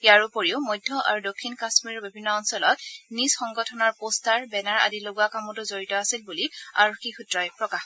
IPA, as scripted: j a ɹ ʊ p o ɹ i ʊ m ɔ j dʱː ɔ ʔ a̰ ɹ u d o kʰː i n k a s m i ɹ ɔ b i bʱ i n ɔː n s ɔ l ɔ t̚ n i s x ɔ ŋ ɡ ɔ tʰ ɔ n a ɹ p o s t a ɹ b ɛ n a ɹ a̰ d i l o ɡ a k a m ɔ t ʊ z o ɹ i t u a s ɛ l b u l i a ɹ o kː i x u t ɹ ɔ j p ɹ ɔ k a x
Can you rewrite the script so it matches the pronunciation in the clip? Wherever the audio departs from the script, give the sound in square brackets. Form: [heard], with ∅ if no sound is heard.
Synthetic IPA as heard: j a ɹ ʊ p o ɹ i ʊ m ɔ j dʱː ɔ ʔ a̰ ɹ u d o kʰː i n k a s m i ɹ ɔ b i bʱ i [nː] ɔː n s ɔ l ɔ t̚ n i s x ɔ ŋ ɡ ɔ tʰ ɔ n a ɹ p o s t a ɹ b ɛ n a ɹ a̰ d i l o ɡ a k a m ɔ t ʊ z o ɹ i t [ɔ] a s [i] l b u l i a ɹ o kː i x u t ɹ ɔ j p ɹ ɔ k a x